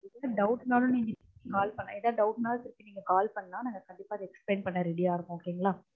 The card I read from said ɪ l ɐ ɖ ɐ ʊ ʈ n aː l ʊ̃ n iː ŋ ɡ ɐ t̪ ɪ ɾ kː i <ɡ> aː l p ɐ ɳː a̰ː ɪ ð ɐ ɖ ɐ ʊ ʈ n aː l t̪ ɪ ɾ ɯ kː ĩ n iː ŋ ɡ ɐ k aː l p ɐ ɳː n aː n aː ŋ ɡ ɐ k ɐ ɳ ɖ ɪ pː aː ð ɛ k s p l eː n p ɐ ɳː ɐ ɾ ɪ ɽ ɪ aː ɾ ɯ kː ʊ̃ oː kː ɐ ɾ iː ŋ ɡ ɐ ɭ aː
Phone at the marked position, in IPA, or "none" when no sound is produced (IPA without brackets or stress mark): k